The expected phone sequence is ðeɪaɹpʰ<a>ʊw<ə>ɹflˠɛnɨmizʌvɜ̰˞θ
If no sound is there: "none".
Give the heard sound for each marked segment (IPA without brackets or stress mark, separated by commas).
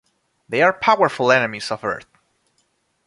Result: a, ə